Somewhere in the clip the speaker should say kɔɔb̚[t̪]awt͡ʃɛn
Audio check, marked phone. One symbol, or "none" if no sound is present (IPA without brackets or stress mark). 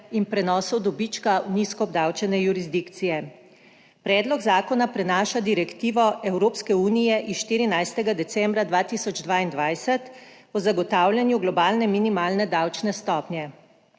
d̪